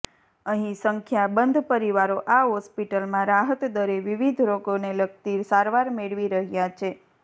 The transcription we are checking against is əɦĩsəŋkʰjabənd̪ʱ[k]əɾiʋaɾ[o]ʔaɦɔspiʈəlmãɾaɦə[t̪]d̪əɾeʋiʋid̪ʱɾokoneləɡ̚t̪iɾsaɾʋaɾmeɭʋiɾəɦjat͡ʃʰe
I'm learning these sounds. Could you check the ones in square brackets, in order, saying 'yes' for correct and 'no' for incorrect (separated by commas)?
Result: no, yes, yes